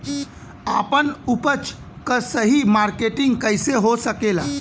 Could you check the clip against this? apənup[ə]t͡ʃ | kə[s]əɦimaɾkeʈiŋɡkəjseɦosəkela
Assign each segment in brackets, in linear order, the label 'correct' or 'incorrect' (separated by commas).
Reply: correct, correct